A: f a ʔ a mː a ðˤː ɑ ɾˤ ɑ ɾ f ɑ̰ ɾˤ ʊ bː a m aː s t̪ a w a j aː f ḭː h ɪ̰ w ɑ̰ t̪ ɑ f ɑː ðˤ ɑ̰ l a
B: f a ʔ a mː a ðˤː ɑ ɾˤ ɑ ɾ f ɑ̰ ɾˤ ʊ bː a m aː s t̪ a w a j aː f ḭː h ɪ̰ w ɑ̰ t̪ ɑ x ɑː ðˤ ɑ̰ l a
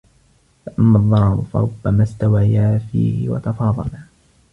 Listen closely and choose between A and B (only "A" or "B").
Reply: A